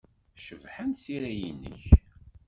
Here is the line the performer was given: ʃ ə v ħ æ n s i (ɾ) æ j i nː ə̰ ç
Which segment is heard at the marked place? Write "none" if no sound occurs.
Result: ɾ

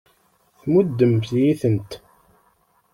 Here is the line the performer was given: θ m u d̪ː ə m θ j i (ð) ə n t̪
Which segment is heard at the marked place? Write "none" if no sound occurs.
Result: θ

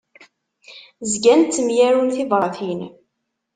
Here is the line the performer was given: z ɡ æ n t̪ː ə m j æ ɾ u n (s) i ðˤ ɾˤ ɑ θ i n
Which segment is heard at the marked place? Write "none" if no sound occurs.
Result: θ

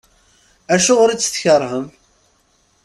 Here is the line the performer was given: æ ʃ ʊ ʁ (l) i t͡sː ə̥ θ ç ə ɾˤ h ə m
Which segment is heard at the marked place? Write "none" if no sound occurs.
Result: ɾ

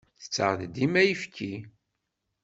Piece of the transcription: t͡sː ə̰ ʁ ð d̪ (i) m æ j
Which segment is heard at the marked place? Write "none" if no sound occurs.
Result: i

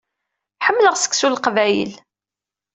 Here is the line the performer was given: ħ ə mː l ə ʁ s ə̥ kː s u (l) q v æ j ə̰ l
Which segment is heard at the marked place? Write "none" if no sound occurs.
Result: l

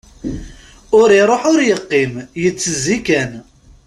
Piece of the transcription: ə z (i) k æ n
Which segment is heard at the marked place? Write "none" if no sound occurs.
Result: i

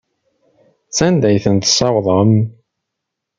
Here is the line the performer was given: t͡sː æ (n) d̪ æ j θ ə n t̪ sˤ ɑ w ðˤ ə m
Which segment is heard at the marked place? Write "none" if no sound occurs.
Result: n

